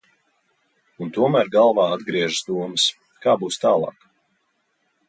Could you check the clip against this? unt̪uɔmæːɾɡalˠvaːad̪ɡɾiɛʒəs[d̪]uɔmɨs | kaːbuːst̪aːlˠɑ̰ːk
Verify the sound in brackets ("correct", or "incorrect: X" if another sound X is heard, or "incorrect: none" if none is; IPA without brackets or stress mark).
correct